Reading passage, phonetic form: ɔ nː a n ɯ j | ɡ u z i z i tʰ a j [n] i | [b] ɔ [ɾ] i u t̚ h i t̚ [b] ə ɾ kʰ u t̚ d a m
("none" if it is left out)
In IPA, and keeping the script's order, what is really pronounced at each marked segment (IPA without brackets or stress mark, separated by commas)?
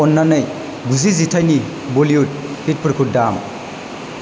n, b, l, p